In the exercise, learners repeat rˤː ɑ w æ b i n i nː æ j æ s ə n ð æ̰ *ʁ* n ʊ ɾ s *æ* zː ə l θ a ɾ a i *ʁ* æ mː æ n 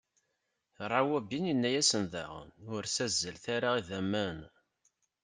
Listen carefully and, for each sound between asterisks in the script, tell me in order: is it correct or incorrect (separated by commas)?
correct, correct, incorrect